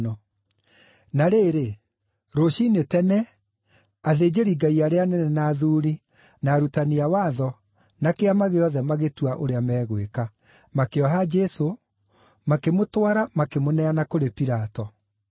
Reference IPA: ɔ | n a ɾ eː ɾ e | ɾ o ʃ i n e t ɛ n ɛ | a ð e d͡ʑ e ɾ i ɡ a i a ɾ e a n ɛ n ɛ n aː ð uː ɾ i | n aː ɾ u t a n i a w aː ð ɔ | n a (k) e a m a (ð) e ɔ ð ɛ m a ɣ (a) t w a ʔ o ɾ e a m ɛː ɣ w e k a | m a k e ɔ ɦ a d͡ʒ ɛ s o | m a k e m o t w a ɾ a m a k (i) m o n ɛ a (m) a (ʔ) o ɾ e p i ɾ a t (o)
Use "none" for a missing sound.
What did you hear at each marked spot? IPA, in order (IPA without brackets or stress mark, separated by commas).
k, ɣ, e, e, n, k, ɔ